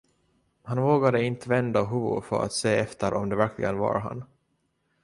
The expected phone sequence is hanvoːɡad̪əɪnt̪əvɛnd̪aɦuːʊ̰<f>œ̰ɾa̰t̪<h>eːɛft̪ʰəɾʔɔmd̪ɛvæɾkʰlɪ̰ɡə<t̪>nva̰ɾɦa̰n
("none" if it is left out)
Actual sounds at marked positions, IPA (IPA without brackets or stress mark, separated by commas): f, s, none